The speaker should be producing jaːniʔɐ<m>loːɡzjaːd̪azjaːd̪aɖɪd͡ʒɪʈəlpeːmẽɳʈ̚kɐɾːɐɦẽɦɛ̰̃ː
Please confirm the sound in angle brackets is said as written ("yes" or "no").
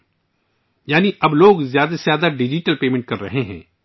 no